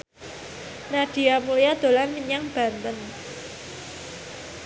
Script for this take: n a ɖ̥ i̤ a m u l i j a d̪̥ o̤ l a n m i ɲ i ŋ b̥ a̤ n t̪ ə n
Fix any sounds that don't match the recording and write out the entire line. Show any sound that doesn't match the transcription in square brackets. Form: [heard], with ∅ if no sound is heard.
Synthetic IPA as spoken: n a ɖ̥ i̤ a m u l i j a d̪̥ o̤ l a n m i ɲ [a] ŋ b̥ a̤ n t̪ ə n